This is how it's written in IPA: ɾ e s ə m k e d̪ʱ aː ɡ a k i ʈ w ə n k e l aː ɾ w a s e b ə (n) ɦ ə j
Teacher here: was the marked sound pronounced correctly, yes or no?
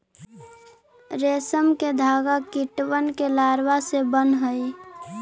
yes